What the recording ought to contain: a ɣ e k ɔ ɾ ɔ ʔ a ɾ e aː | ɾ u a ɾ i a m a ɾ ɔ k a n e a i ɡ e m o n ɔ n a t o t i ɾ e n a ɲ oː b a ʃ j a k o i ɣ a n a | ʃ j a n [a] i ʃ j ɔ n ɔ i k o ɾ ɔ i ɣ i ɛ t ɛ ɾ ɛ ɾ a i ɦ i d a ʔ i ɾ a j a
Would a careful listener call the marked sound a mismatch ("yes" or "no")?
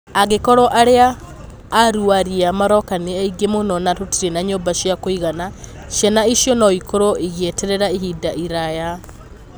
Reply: no